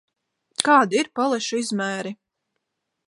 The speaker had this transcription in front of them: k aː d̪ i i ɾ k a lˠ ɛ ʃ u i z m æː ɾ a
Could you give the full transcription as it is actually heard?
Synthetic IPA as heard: k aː d̪ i i ɾ p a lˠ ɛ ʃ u i z m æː ɾ i